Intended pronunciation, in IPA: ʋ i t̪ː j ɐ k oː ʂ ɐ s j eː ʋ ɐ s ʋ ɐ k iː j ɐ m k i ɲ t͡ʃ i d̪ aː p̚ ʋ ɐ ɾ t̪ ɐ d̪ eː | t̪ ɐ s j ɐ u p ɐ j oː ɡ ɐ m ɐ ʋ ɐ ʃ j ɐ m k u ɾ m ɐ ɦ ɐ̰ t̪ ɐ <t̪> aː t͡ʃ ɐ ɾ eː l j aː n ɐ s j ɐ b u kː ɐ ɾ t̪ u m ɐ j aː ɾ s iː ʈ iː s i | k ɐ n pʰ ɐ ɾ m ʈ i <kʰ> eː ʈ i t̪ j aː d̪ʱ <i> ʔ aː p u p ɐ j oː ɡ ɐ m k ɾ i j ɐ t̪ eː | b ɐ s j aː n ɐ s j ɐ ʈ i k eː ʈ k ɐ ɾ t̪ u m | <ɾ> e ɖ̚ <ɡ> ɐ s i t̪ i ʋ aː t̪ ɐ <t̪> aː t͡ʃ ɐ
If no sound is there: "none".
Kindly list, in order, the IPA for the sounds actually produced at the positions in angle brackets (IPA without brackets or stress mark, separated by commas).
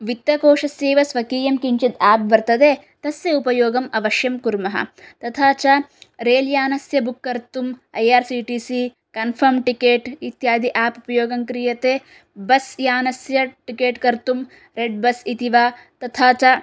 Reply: t̪ʰ, k, i, ɾ, b, t̪ʰ